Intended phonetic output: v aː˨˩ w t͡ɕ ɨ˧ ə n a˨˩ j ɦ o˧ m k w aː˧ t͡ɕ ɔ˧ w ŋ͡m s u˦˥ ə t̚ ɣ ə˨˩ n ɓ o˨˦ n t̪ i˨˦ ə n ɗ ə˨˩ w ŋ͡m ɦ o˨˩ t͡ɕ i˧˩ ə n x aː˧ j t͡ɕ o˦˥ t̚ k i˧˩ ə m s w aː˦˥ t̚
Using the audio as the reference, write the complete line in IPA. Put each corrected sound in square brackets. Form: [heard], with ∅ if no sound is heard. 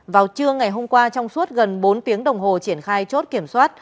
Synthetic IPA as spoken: v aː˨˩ w t͡ɕ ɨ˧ ə [ŋ] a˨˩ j ɦ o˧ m k w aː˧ t͡ɕ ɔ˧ w ŋ͡m s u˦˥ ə t̚ ɣ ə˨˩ n ɓ o˨˦ n t̪ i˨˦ ə [ŋ] ɗ ə˨˩ w ŋ͡m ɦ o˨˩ t͡ɕ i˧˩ ə n x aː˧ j t͡ɕ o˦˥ t̚ k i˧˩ ə m s w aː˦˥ t̚